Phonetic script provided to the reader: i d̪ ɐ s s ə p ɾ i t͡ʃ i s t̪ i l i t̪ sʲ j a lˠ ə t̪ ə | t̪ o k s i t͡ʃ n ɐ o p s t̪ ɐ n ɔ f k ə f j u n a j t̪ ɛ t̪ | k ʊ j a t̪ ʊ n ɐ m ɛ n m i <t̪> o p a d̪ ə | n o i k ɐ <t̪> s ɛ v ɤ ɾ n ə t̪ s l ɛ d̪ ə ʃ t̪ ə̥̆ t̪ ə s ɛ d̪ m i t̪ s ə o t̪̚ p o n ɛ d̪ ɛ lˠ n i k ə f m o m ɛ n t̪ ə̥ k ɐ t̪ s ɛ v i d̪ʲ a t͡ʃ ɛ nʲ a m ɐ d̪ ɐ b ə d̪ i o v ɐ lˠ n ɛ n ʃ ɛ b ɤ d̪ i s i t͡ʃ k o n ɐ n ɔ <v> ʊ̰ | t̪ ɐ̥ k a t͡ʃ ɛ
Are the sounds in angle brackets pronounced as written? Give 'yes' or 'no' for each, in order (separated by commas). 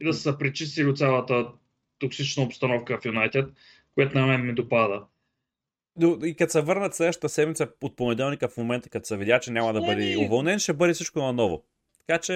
no, yes, yes